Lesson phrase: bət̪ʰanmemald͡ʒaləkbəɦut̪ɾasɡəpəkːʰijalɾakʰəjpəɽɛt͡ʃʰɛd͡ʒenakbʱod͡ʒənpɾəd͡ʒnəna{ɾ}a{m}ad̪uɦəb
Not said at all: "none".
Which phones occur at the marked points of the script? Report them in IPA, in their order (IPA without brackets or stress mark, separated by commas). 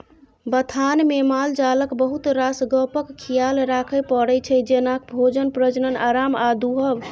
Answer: ɾ, m